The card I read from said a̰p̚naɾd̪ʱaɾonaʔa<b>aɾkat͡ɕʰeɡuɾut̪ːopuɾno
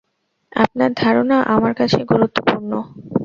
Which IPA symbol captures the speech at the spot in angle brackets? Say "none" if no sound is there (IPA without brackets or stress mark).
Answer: m